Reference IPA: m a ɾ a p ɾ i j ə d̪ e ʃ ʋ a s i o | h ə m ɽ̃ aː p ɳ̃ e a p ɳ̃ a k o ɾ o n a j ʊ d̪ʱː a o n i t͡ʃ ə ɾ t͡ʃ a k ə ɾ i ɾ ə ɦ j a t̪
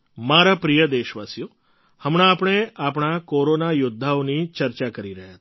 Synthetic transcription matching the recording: m a ɾ a p ɾ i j ə d̪ e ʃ ʋ a s j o | h ə m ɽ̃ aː p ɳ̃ e a p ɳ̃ a k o ɾ o n a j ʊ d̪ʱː a o n i t͡ʃ ə ɾ t͡ʃ a k ə ɾ i ɾ ə ɦ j a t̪